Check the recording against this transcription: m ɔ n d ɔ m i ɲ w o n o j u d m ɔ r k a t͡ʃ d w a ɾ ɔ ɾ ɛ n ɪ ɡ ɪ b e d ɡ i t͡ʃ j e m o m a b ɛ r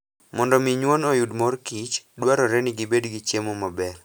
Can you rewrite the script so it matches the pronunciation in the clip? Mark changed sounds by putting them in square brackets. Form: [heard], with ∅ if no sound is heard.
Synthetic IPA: m ɔ n d ɔ m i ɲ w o n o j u d m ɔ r k [i] t͡ʃ d w a ɾ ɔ ɾ ɛ n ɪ ɡ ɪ b e d ɡ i t͡ʃ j e m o m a b ɛ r